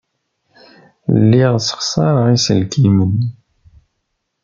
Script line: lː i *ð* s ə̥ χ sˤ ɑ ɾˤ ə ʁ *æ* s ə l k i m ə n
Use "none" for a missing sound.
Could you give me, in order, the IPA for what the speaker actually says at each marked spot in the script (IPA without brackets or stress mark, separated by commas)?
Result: ʁ, i